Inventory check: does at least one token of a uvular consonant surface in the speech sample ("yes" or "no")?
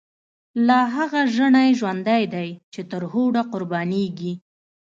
yes